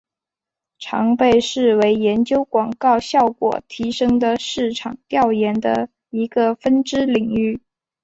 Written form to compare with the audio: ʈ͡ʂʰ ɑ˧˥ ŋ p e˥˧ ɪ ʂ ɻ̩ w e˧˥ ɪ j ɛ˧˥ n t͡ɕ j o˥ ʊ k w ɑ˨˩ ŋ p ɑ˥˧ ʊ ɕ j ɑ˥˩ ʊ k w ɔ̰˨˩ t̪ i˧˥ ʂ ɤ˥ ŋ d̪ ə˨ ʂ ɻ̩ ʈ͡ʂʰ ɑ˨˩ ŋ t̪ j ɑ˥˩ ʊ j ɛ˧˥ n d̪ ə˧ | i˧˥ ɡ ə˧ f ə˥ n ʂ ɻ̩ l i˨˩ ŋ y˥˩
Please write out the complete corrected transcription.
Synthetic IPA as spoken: ʈ͡ʂʰ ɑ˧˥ ŋ p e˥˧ ɪ ʂ ɻ̩ w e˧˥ ɪ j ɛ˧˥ n t͡ɕ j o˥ ʊ k w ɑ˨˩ ŋ k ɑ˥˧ ʊ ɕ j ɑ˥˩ ʊ k w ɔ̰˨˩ t̪ʰ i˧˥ ʂ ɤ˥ ŋ d̪ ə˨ ʂ ɻ̩ ʈ͡ʂʰ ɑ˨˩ ŋ t̪ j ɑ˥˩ ʊ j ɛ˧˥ n d̪ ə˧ | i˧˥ ɡ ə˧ f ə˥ n ʈ͡ʂ ɻ̩ l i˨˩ ŋ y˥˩